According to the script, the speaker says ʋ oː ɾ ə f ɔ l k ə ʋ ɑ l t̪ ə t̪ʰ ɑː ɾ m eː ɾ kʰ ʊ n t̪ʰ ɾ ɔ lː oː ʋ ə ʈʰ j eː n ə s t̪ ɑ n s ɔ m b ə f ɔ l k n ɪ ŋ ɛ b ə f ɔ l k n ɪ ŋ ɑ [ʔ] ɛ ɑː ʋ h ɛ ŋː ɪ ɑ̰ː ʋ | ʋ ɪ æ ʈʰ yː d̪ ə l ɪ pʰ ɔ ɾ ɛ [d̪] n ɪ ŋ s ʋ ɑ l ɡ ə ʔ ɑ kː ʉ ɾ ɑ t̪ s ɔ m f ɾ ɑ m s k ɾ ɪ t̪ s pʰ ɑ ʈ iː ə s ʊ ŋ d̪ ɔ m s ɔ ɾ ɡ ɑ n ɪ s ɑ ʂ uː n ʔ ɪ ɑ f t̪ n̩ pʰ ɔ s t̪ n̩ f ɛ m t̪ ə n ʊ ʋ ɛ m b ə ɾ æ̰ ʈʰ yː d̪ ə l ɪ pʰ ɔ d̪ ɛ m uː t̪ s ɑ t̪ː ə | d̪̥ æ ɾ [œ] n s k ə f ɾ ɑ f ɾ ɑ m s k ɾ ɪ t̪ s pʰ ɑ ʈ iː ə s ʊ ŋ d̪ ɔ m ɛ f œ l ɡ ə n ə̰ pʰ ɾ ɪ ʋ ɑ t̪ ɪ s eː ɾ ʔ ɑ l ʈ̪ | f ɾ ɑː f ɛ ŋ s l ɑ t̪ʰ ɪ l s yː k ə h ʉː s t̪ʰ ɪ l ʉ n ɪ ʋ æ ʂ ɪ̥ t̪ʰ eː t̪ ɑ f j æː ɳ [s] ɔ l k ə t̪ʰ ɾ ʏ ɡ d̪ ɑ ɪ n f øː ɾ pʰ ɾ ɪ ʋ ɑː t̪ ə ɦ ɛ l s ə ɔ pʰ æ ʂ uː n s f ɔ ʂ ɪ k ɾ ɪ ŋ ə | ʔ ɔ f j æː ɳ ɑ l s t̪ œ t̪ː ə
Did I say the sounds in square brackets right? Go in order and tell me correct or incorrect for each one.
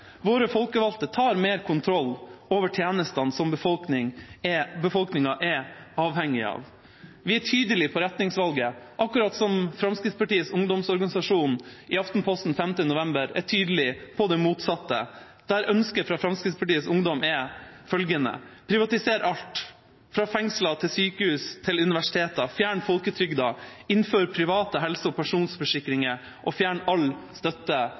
correct, incorrect: t̪, correct, incorrect: f

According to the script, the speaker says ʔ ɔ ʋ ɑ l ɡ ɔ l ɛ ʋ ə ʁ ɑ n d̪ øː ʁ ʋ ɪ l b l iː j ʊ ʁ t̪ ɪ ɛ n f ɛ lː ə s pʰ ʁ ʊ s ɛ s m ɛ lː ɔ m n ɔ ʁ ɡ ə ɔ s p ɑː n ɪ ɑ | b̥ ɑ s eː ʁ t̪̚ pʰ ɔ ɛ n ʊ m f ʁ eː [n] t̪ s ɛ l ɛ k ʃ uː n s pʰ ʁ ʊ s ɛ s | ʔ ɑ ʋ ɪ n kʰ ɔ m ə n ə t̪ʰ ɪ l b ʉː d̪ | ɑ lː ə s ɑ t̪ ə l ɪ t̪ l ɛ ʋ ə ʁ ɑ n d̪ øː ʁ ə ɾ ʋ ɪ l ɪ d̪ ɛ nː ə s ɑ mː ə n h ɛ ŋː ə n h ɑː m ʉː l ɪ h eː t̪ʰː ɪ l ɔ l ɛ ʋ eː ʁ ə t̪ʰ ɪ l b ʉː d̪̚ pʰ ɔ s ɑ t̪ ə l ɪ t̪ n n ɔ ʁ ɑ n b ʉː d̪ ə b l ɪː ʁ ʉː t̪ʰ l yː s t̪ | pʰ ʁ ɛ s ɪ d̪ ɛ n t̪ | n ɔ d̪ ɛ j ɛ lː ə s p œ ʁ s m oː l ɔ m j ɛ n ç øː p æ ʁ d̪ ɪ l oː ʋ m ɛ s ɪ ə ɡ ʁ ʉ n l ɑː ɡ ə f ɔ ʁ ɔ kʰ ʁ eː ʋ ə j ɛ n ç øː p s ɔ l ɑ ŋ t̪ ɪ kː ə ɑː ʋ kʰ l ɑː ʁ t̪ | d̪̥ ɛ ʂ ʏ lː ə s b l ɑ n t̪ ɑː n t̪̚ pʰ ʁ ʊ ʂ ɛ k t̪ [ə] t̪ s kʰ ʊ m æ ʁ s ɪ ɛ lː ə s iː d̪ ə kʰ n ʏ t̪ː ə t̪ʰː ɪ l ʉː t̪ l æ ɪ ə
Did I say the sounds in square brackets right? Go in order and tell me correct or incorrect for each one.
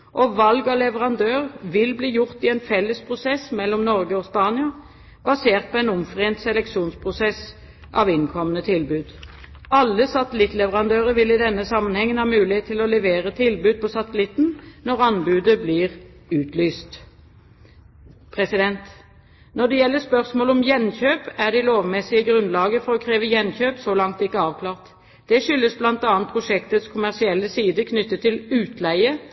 correct, correct

